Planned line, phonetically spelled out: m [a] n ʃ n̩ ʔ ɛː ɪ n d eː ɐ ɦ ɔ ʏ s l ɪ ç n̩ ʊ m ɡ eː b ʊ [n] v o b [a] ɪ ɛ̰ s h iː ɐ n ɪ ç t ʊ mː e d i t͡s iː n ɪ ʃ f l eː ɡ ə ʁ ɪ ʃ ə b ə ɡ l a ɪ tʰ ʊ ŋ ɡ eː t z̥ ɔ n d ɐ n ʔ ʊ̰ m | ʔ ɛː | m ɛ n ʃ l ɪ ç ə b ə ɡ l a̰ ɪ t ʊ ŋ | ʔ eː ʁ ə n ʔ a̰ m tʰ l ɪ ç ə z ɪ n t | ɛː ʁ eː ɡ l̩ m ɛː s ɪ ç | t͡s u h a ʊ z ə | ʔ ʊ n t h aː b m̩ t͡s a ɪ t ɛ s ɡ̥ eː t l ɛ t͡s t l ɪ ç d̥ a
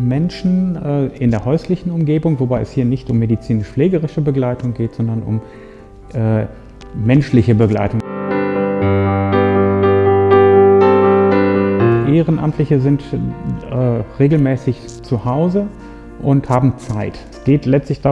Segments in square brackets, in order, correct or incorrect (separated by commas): incorrect, incorrect, correct